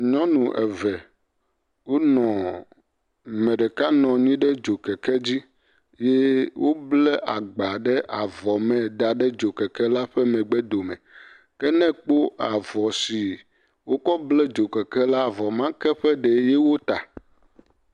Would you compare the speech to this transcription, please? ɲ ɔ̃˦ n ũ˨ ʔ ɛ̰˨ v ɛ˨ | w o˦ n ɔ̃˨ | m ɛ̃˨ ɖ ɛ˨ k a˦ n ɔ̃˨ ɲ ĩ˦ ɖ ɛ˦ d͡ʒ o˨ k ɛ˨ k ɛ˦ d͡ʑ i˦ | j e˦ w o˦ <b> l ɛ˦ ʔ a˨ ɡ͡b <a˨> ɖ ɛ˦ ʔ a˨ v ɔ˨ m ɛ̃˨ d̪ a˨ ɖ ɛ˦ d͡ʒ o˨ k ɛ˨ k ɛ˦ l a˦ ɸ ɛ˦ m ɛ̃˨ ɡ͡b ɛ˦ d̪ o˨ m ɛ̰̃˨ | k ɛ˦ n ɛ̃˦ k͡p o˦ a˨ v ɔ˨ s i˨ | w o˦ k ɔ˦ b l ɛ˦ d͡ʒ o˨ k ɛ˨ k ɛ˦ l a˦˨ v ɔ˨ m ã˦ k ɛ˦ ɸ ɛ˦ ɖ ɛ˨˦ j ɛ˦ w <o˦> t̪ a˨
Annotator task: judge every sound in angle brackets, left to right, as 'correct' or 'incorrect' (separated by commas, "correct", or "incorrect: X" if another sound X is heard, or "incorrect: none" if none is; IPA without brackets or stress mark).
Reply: correct, correct, correct